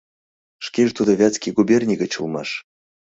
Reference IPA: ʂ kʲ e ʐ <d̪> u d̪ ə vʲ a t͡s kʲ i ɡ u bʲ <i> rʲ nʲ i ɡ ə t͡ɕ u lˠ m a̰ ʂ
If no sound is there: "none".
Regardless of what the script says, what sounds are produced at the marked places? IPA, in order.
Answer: t̪, e

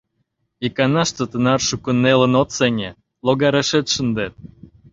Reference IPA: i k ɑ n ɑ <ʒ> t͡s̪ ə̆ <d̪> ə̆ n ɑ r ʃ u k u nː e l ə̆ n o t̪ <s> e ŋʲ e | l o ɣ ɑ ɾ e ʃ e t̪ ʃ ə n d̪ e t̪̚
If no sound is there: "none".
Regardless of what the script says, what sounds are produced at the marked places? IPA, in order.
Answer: ʃ, t̪, s

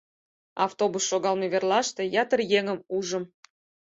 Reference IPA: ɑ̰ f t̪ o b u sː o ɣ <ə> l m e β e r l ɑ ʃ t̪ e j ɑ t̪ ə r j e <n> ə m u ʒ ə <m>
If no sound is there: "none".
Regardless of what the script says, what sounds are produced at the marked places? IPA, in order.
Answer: ɑ, ŋ, m

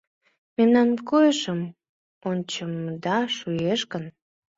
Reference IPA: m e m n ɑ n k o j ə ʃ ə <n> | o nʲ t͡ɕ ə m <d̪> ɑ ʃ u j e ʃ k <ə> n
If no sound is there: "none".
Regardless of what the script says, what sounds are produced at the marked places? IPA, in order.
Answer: m, d̪, ə

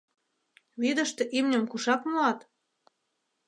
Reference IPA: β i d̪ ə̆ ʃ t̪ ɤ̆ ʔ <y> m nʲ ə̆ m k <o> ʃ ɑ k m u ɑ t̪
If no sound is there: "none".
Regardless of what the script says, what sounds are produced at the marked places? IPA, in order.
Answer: i, u

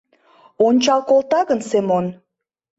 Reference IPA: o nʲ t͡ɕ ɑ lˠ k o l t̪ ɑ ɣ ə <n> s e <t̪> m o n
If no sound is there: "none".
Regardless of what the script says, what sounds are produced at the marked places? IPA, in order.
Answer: n, none

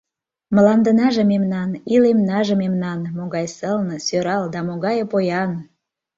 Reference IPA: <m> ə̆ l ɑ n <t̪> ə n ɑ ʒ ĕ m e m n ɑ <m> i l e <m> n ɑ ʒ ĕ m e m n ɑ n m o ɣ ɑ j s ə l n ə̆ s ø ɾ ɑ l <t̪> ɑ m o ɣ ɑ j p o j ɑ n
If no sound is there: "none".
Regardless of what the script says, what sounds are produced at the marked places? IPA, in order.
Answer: m, d̪, n, m, d̪

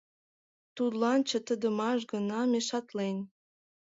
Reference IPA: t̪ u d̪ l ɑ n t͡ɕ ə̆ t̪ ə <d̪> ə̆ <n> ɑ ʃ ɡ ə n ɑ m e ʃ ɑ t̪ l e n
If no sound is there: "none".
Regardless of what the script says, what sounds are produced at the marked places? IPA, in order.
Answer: d̪, m

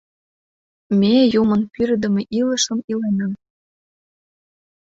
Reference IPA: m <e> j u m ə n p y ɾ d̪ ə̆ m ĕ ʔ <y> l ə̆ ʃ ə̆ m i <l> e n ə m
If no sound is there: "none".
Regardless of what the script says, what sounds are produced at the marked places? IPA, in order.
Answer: e, i, l

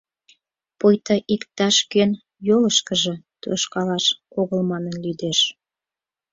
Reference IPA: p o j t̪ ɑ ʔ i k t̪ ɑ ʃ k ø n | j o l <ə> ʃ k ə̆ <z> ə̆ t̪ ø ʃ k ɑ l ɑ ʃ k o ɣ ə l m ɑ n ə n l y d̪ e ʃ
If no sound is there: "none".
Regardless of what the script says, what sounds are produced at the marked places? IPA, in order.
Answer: ə, ʒ

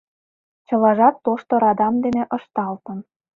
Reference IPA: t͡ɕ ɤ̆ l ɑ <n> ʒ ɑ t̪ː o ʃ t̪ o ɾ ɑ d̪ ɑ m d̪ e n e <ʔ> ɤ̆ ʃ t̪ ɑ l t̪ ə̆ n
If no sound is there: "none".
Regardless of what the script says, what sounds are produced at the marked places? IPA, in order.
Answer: none, ʔ

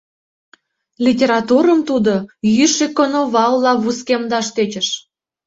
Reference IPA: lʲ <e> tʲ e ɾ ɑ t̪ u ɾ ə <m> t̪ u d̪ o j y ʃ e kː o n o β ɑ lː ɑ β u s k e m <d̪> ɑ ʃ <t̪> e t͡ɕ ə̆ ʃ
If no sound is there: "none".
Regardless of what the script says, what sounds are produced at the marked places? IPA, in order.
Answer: i, m, d̪, t̪

